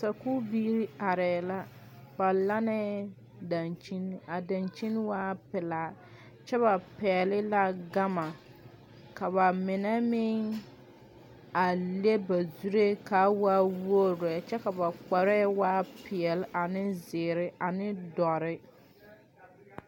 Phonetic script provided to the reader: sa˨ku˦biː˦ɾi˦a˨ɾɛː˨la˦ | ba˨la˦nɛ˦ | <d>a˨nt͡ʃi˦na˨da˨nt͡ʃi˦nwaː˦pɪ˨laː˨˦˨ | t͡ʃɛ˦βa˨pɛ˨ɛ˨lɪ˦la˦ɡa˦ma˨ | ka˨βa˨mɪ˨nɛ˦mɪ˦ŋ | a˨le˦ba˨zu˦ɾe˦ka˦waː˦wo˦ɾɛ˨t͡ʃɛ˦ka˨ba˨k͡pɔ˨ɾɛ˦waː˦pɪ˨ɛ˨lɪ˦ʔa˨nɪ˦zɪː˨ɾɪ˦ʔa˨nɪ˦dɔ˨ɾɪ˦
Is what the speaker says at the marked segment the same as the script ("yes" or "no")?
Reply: yes